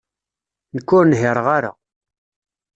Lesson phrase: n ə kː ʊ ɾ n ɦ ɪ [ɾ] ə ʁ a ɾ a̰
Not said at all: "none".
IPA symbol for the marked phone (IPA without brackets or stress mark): ɾ